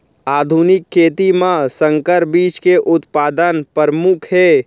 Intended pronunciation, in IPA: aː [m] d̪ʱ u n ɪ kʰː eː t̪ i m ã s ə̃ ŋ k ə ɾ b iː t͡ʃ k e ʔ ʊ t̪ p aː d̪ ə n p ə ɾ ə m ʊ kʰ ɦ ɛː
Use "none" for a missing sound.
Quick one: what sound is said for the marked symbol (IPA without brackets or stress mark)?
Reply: none